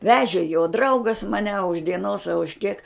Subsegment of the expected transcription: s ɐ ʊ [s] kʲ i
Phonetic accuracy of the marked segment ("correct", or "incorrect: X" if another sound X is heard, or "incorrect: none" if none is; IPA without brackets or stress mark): incorrect: ʃ